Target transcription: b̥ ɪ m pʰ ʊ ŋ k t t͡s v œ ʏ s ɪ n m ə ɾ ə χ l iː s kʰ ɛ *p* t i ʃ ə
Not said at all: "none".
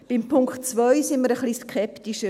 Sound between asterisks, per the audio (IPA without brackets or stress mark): p